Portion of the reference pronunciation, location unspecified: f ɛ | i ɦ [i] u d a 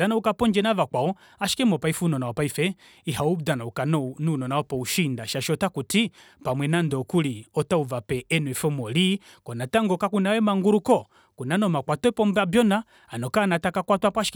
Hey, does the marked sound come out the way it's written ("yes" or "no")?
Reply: no